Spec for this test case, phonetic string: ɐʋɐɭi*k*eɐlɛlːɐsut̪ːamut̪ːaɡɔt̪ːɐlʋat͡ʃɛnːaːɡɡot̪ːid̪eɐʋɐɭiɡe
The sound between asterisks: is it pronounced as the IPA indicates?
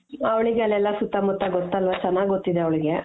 no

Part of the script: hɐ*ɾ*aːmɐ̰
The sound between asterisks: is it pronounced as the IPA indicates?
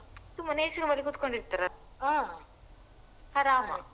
yes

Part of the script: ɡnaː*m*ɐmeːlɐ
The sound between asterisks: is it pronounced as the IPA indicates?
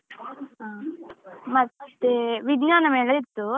no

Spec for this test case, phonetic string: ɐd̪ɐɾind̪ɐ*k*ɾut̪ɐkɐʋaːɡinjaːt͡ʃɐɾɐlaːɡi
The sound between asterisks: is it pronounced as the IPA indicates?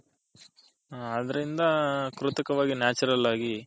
yes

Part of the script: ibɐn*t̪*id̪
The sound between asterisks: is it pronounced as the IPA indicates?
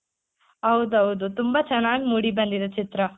no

